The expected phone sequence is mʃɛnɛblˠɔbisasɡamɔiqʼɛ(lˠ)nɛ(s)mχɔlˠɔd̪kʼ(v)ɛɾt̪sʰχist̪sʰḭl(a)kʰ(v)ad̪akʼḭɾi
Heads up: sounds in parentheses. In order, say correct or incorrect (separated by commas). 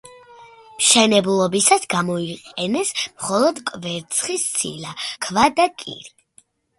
incorrect, correct, correct, correct, correct